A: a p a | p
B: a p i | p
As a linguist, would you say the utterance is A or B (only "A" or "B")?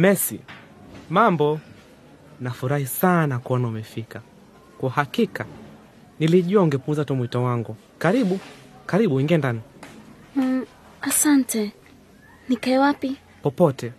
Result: B